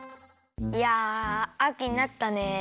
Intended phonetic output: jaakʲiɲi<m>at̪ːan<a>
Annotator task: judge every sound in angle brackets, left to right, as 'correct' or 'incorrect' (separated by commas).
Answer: incorrect, incorrect